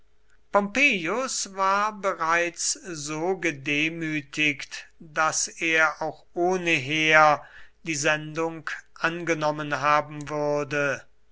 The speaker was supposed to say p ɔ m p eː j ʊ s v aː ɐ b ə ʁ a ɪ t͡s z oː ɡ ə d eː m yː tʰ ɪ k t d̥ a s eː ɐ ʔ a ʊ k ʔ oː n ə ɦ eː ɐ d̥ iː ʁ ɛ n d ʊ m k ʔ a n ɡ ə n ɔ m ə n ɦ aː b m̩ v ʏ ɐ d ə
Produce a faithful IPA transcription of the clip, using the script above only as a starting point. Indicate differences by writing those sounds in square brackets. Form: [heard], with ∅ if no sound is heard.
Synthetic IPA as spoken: p ɔ m p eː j ʊ s v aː ɐ b ə ʁ a ɪ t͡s z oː ɡ ə d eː m yː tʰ ɪ k t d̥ a s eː ɐ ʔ a ʊ [x] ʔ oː n ə ɦ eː ɐ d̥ iː [z] ɛ n d ʊ [ŋ] k ʔ a n ɡ ə n ɔ m ə n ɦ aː b m̩ v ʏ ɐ d ə